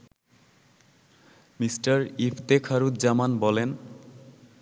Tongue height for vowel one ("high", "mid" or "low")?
high